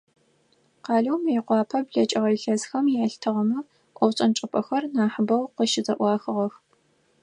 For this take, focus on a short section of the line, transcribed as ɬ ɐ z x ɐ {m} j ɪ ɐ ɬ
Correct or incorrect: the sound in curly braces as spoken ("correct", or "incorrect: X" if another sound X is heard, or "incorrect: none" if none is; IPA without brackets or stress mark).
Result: correct